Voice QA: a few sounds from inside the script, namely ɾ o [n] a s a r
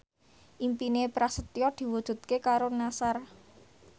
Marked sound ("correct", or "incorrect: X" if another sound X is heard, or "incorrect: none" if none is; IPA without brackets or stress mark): correct